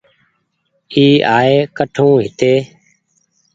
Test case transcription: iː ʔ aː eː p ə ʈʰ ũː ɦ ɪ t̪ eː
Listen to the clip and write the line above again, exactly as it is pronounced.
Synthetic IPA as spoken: iː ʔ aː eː k ə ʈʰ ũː ɦ ɪ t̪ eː